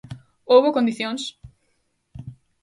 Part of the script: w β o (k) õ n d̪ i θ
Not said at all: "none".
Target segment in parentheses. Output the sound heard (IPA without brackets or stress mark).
k